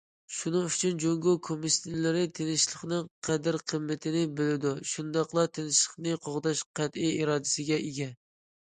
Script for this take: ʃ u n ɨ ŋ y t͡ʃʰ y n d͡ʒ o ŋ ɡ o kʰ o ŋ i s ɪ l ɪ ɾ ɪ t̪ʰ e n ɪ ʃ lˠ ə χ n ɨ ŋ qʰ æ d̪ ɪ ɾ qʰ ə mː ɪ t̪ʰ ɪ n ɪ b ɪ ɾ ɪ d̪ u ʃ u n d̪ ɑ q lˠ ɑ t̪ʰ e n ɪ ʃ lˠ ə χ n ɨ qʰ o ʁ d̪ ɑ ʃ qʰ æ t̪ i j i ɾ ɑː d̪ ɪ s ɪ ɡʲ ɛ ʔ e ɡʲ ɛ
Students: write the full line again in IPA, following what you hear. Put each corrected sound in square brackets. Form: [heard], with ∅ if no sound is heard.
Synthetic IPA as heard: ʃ u n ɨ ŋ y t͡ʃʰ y n d͡ʒ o ŋ ɡ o kʰ o [m] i s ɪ l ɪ ɾ ɪ t̪ʰ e n ɪ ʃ lˠ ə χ n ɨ ŋ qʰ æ d̪ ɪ ɾ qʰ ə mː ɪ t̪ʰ ɪ n ɪ b ɪ [l] ɪ d̪ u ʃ u n d̪ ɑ q lˠ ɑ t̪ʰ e n ɪ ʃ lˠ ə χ n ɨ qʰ o ʁ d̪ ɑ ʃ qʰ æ t̪ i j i ɾ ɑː d̪ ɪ s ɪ ɡʲ ɛ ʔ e ɡʲ ɛ